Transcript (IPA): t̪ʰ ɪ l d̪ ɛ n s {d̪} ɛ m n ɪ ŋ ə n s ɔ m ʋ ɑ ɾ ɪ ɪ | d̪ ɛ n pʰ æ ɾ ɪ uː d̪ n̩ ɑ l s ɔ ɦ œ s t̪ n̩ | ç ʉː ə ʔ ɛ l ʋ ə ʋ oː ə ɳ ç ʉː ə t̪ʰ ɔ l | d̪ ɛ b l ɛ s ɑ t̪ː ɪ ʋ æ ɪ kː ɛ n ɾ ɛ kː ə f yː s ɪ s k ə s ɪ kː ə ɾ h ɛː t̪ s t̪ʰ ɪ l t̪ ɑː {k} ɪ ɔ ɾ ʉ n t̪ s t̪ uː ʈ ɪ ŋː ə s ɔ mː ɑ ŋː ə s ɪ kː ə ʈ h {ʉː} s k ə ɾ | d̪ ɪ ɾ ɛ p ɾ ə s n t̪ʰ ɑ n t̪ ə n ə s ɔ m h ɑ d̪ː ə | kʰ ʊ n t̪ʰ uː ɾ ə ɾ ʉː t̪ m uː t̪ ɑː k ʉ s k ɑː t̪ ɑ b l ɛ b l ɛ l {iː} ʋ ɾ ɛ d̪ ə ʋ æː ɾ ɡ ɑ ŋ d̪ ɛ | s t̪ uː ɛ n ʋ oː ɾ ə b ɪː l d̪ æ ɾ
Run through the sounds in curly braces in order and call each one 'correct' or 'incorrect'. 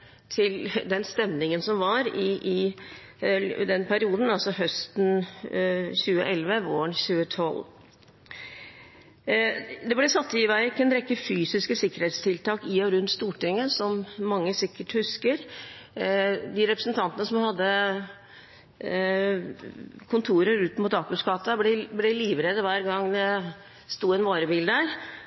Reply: incorrect: t̪, correct, incorrect: ʉ, correct

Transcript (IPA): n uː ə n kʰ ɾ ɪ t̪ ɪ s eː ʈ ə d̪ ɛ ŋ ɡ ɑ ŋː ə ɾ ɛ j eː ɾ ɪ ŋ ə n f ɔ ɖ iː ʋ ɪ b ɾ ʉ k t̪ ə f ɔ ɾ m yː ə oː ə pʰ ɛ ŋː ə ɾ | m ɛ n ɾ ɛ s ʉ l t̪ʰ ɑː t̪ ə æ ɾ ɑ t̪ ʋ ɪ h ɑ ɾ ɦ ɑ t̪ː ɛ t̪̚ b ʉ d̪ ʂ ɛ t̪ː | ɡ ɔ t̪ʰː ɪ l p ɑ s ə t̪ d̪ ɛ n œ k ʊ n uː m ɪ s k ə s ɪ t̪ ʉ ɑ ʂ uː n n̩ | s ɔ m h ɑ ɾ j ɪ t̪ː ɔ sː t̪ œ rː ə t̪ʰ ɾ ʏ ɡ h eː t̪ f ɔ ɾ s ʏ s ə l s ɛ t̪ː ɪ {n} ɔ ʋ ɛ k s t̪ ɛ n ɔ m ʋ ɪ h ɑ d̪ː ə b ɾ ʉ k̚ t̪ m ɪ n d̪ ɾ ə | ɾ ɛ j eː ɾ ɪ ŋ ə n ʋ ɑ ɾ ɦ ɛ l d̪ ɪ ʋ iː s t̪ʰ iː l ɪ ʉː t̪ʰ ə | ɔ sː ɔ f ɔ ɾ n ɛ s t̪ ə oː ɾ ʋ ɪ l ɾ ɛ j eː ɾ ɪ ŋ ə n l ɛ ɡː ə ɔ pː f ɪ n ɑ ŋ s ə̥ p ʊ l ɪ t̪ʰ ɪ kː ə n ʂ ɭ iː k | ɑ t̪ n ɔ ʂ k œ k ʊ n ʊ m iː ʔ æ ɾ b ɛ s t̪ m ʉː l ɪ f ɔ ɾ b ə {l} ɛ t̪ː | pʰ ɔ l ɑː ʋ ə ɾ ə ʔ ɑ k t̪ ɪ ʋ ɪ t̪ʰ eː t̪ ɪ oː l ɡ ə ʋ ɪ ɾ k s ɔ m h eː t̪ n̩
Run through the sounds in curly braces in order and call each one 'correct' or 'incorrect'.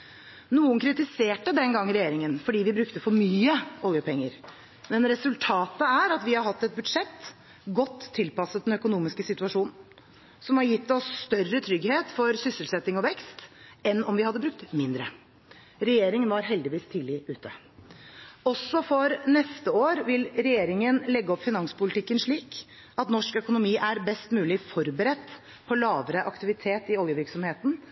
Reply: incorrect: ŋ, incorrect: ɾ

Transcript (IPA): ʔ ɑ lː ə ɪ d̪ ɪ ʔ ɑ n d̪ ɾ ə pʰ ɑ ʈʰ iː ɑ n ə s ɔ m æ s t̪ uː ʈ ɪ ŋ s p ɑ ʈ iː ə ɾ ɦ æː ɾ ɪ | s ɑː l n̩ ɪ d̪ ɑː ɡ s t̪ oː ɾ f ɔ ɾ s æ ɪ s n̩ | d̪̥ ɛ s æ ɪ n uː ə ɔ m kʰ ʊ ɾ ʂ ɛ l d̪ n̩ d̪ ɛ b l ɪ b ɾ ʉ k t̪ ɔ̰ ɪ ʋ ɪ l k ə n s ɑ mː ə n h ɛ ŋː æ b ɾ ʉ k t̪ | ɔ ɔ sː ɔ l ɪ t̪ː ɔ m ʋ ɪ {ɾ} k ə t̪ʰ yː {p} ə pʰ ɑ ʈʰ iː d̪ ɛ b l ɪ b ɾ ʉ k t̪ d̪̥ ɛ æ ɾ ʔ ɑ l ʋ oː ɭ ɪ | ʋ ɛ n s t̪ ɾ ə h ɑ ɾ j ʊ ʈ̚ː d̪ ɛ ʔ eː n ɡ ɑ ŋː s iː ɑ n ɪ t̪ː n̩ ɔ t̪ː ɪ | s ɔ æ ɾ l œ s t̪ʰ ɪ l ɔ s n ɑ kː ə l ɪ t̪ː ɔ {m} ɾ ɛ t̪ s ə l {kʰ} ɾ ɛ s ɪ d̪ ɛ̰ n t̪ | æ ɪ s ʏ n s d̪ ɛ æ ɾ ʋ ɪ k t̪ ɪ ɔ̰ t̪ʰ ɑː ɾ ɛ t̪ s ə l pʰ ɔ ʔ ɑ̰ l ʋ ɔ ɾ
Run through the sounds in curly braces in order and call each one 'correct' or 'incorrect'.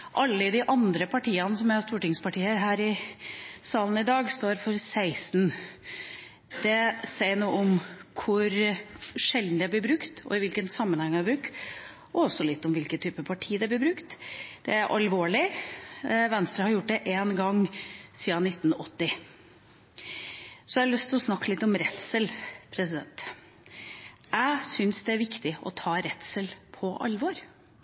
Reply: incorrect: l, correct, correct, incorrect: pʰ

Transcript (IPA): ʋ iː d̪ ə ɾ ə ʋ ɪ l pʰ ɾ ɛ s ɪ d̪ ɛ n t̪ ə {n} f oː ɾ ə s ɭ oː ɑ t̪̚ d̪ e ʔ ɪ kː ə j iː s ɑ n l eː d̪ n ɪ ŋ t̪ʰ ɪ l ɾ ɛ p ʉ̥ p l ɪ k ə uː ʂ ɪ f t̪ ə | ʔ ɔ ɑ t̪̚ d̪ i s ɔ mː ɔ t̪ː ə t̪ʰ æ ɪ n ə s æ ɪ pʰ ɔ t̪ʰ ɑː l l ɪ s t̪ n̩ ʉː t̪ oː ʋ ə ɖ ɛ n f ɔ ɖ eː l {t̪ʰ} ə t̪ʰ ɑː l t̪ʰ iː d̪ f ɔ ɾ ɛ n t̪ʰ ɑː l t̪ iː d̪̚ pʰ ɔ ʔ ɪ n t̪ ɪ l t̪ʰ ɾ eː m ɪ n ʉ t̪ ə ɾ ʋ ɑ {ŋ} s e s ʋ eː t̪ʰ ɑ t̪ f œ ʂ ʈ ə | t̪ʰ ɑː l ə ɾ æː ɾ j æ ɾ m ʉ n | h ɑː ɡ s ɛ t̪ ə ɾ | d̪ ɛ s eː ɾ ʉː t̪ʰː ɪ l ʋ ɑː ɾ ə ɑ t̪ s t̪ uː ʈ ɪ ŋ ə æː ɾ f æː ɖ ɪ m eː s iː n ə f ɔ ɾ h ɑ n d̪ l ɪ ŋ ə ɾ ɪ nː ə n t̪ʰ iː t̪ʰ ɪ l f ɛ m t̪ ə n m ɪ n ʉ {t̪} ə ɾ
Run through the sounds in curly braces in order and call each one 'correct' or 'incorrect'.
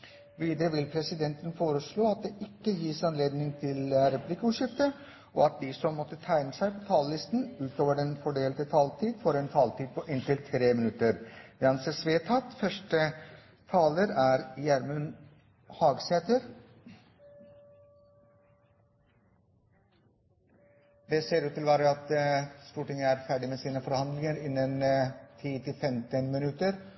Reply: correct, incorrect: t̪, incorrect: n, correct

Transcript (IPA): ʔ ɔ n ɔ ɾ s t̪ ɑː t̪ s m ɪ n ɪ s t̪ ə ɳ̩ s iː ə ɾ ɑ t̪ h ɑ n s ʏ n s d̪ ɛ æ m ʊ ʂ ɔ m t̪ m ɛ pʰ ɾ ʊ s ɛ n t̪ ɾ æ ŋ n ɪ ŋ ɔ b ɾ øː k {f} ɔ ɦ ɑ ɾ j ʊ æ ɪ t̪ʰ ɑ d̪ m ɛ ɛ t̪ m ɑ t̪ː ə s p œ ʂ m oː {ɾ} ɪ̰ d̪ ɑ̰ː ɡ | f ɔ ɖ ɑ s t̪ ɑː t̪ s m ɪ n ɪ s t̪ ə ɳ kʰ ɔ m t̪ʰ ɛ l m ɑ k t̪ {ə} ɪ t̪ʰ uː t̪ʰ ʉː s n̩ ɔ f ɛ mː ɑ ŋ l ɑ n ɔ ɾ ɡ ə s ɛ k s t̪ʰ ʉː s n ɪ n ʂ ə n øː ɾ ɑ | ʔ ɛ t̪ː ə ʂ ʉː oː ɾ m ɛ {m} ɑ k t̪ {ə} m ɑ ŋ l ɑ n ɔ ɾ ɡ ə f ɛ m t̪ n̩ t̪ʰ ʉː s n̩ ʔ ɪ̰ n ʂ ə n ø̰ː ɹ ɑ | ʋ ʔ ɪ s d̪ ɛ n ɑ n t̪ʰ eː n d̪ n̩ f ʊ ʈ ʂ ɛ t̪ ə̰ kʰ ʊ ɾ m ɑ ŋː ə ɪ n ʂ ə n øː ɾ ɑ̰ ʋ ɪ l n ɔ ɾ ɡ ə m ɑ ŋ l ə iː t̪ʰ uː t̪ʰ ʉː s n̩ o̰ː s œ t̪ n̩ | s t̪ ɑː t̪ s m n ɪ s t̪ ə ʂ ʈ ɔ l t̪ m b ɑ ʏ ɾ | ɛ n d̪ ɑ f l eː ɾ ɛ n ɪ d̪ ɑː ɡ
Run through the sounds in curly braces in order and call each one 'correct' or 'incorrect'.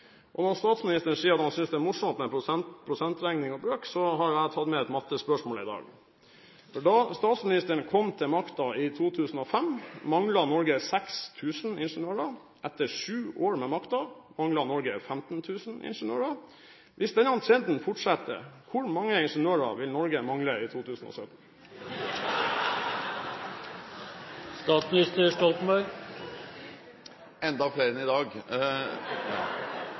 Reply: incorrect: s, incorrect: l, incorrect: ɑ, correct, incorrect: ɑ

